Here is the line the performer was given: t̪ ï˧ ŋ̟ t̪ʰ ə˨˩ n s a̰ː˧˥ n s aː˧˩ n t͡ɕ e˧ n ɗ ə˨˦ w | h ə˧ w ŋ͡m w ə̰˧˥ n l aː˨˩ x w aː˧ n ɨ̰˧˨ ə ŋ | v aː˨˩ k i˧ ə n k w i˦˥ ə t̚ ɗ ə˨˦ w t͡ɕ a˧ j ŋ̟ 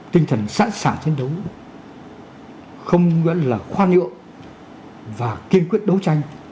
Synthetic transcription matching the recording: t̪ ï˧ ŋ̟ t̪ʰ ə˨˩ n s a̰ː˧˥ n s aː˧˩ n t͡ɕ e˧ n ɗ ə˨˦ w | x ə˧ w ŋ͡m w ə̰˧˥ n l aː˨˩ x w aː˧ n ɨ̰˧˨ ə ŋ | v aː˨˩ k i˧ ə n k w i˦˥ ə t̚ ɗ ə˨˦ w t͡ɕ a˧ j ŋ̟